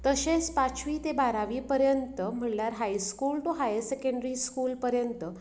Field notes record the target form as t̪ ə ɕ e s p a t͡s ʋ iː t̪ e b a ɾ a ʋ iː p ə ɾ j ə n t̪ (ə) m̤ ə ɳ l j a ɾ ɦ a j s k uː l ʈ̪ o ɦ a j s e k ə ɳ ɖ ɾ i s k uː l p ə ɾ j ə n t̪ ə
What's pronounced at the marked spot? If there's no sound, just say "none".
ə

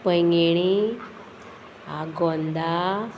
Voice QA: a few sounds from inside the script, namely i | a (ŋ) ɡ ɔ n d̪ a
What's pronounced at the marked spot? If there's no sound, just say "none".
none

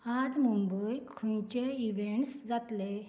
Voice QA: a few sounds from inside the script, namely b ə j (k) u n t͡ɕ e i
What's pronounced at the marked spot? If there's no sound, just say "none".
kʰ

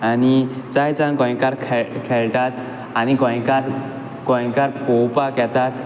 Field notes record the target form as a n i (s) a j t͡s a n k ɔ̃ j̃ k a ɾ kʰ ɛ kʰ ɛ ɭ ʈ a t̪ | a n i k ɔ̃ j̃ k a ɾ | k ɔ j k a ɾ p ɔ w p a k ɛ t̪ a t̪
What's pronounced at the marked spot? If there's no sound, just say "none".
t͡s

